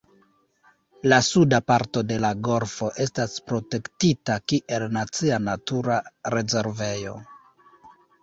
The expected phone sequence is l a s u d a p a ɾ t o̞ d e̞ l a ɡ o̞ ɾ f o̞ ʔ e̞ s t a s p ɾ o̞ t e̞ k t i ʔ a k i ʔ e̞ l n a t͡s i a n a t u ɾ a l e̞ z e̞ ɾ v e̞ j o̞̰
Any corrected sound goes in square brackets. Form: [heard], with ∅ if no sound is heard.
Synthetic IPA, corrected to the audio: l a s u d a p a ɾ t o̞ d e̞ l a ɡ o̞ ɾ f o̞ ʔ e̞ s t a s p ɾ o̞ t e̞ k t i [t] a k i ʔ e̞ l n a t͡s i a n a t u ɾ a [ɾ] e̞ z e̞ ɾ v e̞ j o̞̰